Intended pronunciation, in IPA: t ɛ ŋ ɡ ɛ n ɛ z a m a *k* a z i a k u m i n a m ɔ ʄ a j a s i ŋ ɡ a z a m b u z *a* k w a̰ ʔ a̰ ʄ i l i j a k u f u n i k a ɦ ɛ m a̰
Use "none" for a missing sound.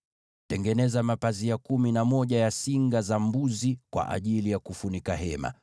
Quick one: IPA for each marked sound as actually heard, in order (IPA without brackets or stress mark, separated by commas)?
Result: p, i